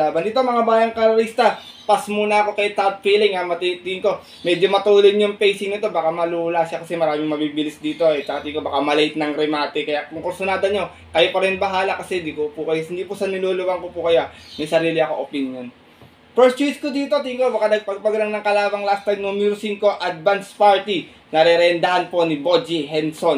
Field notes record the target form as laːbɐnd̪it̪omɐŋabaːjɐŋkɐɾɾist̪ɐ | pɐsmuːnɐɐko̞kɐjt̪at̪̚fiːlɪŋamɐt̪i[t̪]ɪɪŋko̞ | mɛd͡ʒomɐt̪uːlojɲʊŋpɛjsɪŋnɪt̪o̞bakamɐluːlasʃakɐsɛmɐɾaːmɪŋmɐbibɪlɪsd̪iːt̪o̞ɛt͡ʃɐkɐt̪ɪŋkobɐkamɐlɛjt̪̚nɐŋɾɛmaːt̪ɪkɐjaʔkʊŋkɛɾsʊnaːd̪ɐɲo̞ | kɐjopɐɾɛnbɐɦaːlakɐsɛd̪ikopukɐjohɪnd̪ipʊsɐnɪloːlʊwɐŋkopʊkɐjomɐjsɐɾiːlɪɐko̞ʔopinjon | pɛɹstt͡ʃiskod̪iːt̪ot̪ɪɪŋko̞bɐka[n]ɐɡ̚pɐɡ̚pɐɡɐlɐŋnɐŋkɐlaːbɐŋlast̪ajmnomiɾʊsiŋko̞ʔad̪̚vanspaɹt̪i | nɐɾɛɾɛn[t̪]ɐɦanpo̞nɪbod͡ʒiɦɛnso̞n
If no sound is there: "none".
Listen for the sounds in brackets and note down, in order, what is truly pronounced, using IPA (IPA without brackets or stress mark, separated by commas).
t̪, n, d̪